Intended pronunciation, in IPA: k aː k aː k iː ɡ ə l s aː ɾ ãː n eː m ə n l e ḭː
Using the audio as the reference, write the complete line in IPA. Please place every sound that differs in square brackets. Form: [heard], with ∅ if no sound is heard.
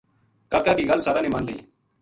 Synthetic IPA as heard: k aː k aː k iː ɡ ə l s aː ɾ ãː n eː m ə n l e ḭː